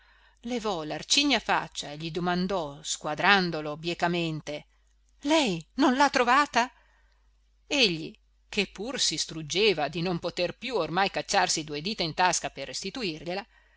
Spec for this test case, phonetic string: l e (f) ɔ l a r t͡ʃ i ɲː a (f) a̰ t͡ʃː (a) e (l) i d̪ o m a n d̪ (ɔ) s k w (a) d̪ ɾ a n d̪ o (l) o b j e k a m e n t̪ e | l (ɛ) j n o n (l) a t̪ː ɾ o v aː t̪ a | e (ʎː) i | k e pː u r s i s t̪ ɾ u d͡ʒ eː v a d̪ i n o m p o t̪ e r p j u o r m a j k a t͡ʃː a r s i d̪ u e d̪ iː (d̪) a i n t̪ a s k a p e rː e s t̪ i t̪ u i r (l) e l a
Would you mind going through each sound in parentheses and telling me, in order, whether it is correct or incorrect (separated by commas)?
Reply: incorrect, correct, correct, incorrect, correct, correct, correct, correct, correct, correct, incorrect, incorrect